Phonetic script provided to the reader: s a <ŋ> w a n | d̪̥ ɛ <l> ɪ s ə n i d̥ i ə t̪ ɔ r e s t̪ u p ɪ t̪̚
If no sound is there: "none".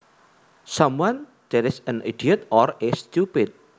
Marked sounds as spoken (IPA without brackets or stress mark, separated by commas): m, ɾ